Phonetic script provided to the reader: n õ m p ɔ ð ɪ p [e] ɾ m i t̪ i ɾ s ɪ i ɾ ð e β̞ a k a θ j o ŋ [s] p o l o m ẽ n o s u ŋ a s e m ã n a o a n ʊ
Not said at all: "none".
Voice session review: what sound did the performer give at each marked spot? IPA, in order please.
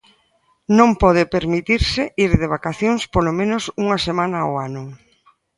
e, s

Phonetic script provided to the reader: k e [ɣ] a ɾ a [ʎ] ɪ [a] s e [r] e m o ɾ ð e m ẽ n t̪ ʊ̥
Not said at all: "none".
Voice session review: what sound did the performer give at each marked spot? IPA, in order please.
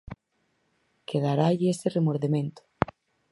ð, ʎ, e, r

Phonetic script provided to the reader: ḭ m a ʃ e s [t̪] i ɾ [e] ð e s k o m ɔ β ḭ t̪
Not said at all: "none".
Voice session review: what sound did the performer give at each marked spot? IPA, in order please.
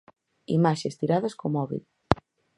t̪, a

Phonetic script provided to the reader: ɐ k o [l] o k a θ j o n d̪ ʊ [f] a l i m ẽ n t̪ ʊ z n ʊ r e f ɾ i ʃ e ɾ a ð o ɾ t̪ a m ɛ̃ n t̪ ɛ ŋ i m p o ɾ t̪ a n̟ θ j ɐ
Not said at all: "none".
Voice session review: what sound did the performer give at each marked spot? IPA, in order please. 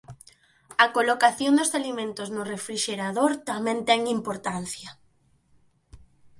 l, s

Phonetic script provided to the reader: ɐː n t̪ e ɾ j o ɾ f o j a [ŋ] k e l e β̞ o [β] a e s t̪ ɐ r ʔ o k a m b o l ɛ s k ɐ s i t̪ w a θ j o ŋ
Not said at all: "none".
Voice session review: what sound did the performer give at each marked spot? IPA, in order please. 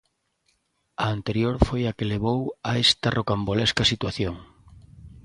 none, w

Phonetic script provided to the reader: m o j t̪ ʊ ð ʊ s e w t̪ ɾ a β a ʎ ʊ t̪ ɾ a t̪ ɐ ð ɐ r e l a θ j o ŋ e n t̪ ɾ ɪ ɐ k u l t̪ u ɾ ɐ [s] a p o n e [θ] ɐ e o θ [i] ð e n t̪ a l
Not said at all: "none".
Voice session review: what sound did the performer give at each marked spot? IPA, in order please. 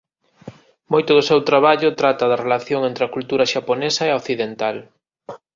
ʃ, s, i

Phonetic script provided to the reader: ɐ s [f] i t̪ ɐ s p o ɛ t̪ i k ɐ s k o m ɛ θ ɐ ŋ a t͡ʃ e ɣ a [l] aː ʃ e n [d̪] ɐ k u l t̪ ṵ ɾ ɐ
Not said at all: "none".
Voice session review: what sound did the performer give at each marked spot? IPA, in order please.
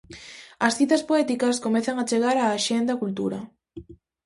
θ, ɾ, d̪

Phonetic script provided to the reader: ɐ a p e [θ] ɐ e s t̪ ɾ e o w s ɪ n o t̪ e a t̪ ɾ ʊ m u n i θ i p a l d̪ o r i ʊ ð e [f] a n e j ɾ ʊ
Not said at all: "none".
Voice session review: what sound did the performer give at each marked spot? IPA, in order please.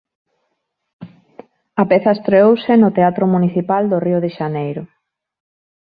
θ, ʃ

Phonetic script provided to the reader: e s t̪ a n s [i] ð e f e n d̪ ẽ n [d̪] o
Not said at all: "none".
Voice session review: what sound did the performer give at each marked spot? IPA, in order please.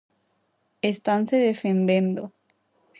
e, d̪

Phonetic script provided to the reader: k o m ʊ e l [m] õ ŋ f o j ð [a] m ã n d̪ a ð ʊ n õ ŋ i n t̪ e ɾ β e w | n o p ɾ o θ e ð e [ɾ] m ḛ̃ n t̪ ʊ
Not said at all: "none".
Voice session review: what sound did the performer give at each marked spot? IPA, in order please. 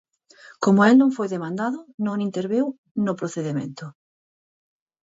n, e, none

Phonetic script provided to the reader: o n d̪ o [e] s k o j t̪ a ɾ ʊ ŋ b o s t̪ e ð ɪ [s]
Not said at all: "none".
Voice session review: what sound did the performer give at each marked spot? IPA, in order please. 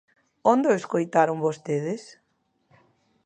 e, s

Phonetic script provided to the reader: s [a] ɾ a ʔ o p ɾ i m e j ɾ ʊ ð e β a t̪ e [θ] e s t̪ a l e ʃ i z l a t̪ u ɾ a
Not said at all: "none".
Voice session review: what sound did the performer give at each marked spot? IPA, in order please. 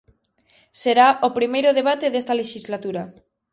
e, ð

